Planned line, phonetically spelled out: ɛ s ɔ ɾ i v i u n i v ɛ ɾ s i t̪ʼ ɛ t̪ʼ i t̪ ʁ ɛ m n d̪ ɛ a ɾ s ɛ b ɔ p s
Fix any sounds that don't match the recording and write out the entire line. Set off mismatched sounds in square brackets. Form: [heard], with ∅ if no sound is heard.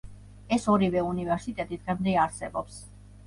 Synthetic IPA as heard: ɛ s ɔ ɾ i v [ɛ] u n i v ɛ ɾ s i t̪ʼ ɛ t̪ʼ i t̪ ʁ ɛ m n d̪ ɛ a ɾ s ɛ b ɔ p s